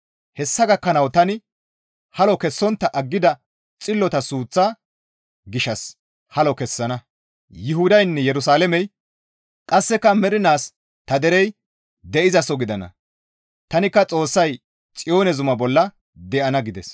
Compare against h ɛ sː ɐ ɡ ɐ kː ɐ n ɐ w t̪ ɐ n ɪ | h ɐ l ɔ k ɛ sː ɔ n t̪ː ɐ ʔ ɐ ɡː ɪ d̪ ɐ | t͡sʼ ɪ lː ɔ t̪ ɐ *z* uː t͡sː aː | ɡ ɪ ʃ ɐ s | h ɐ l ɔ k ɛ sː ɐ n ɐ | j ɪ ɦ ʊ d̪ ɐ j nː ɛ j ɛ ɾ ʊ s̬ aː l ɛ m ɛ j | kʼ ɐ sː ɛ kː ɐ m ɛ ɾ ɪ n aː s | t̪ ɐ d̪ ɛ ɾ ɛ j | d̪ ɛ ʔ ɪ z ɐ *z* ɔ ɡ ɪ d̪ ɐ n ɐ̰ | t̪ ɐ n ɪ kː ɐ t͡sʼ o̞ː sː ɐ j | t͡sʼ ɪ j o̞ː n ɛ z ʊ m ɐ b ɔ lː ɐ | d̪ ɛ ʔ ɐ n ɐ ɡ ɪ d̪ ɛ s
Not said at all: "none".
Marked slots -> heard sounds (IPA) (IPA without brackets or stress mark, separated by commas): s, s